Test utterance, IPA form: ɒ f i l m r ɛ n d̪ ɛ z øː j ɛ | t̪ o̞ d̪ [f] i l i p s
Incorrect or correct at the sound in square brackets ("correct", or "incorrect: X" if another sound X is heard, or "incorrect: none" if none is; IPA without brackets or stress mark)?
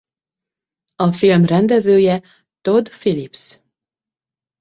correct